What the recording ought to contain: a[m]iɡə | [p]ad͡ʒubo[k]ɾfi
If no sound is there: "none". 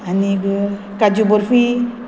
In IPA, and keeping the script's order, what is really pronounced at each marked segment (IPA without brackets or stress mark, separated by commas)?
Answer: n, k, none